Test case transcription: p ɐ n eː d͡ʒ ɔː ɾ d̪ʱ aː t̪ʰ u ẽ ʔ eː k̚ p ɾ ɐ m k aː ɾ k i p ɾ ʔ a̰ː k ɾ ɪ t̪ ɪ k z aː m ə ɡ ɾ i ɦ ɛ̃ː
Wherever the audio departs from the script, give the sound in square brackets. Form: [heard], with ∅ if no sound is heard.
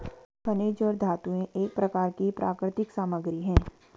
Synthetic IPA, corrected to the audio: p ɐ n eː d͡ʒ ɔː ɾ d̪ʱ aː [t̪] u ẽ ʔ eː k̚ p ɾ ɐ [∅] k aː ɾ k i p ɾ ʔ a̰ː k ɾ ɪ t̪ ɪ k [s] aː m ə ɡ ɾ i ɦ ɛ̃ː